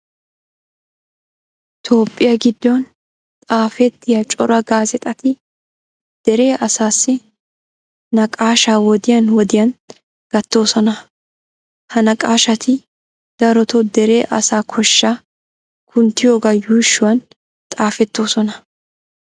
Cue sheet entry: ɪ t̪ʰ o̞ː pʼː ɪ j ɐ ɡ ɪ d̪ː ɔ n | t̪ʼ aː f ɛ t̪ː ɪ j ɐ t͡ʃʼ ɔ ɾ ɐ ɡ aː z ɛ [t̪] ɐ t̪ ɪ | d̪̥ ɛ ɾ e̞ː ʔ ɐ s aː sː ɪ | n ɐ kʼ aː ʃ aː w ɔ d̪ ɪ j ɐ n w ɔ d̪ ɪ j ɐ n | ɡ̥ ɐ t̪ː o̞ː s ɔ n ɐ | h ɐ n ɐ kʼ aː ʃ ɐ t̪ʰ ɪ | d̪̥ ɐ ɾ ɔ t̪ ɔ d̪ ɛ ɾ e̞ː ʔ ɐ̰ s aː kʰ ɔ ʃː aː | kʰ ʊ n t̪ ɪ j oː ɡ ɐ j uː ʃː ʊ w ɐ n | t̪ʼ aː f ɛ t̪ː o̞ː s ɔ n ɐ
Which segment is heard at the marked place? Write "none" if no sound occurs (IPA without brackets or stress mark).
t̪ʼ